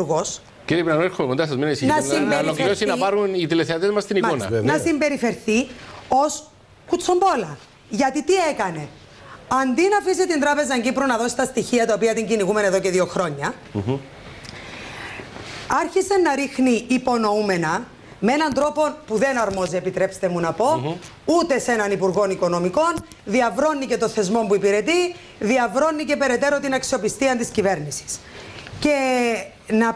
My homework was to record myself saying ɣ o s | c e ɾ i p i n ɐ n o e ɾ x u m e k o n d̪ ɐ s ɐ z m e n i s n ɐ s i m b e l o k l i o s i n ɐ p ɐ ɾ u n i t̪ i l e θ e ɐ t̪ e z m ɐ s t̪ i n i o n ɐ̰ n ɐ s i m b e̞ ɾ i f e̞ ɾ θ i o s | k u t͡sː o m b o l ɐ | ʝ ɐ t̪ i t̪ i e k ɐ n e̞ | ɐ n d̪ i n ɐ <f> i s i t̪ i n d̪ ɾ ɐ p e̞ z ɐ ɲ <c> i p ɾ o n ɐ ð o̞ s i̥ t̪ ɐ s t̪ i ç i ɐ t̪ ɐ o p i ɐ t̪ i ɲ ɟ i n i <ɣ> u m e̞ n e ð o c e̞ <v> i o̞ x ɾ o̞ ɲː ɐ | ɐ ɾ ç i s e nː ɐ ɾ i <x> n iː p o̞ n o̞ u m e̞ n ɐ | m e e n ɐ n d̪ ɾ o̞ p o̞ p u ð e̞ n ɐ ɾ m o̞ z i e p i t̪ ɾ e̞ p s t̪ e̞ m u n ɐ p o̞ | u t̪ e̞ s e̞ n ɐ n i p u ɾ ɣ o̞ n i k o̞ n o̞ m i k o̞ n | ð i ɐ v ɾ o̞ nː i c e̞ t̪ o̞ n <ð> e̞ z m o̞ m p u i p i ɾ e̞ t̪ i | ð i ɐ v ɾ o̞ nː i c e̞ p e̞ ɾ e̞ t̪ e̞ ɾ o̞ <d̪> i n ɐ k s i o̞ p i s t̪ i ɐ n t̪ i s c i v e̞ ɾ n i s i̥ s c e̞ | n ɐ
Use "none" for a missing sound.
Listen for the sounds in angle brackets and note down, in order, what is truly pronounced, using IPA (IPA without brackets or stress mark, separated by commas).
f, ɟ, ɣ, ð, x, θ, t̪